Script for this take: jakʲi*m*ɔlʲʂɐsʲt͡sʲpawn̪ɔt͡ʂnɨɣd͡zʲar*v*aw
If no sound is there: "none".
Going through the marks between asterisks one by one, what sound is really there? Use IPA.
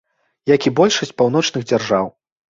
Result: b, ʐ

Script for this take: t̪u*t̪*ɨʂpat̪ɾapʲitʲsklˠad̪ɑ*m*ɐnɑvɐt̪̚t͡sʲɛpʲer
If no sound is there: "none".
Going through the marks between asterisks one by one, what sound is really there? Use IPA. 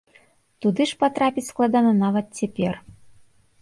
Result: d̪, n

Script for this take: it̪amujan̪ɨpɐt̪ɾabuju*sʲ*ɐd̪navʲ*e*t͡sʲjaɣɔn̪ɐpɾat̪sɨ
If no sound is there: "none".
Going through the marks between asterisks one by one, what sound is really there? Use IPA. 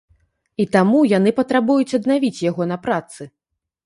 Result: t͡sʲ, i

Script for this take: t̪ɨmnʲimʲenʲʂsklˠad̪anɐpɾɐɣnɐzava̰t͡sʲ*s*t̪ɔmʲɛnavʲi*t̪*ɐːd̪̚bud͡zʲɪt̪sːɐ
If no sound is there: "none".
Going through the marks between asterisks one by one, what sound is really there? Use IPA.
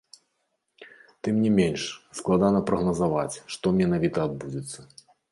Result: ʂ, t̪

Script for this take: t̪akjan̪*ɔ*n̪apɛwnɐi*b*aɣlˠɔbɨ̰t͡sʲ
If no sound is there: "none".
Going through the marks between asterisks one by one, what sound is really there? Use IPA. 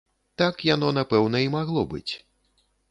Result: ɔ, m

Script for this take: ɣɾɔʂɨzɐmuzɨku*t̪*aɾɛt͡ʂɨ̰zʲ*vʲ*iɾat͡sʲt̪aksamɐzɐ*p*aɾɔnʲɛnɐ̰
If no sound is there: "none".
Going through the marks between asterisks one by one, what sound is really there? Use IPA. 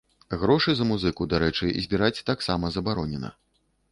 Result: d̪, bʲ, b

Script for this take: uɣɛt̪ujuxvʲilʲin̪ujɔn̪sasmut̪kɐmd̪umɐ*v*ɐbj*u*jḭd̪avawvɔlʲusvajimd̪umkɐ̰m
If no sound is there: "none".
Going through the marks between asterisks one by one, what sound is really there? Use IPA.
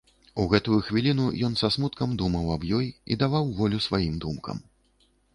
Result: w, ɔ

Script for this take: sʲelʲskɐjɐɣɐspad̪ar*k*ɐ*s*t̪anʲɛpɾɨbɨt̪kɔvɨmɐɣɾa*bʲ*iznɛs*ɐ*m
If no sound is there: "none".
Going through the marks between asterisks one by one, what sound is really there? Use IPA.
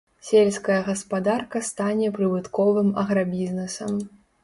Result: k, s, bʲ, ɐ

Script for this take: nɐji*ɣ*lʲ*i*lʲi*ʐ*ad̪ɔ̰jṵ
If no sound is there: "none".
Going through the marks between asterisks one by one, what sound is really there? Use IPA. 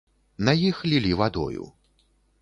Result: x, i, v

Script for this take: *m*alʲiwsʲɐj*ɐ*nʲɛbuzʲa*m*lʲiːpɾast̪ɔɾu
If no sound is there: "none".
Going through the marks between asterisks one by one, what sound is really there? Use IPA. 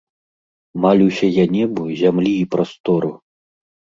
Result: m, a, m

